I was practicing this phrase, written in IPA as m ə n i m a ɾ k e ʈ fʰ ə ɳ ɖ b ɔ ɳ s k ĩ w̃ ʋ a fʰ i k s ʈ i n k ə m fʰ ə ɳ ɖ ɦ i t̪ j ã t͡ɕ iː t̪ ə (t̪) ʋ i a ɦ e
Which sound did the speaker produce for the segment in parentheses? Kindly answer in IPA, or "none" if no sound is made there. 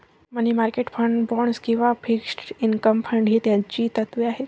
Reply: t̪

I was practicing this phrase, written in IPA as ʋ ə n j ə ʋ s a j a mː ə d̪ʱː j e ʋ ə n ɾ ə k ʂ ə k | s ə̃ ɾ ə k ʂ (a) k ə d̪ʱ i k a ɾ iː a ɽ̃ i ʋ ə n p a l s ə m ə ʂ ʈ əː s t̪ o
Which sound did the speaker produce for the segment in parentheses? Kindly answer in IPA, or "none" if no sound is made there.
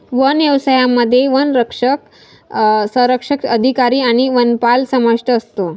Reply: ə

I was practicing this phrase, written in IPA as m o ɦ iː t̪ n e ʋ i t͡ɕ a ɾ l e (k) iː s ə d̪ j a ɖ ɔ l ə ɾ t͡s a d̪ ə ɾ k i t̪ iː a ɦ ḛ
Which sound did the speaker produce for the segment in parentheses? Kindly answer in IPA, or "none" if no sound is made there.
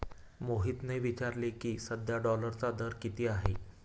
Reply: k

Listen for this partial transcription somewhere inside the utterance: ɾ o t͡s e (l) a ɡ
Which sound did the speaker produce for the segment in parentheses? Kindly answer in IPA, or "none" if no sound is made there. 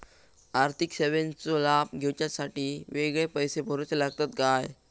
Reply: l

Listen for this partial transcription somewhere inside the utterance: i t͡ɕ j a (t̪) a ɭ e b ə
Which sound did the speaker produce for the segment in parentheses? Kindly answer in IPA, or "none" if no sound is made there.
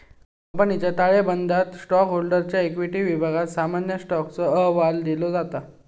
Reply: t̪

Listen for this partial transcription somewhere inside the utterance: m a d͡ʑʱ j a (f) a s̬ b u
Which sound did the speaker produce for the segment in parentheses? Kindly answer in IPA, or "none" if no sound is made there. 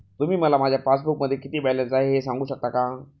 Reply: f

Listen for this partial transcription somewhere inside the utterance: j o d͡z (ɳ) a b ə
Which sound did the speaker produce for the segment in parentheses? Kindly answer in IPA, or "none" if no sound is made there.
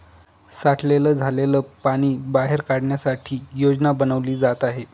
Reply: n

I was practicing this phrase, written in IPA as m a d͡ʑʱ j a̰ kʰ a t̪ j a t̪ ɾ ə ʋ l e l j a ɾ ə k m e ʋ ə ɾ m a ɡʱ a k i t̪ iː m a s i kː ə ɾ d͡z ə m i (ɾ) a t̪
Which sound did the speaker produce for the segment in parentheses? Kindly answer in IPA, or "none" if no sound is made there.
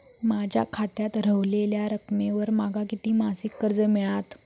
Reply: ɭ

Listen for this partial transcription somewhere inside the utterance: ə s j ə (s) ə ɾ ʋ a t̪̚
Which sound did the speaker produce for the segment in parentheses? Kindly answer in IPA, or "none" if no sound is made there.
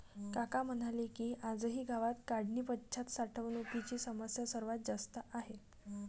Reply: s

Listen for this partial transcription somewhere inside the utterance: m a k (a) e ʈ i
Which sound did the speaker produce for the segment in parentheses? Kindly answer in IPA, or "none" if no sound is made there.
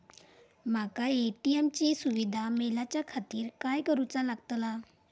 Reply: a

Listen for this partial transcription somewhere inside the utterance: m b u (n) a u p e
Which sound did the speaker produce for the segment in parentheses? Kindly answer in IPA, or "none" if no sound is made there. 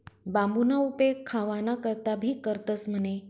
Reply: n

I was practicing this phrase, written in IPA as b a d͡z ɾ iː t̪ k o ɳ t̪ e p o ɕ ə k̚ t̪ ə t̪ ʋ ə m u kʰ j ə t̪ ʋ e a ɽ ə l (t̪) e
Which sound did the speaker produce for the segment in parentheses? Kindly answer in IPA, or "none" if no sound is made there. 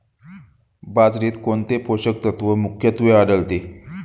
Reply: t̪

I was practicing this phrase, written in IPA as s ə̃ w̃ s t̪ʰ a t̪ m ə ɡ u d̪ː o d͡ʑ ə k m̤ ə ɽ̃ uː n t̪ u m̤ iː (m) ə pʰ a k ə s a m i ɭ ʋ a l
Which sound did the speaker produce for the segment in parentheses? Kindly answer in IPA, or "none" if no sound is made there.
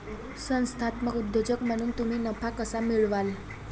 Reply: n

